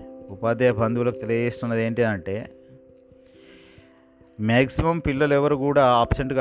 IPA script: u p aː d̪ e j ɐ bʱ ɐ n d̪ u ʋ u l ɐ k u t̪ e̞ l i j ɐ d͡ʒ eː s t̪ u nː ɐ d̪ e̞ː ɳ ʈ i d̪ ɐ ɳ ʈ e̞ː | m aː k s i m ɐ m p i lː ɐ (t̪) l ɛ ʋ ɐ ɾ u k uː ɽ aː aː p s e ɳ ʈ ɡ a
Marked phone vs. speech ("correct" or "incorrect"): incorrect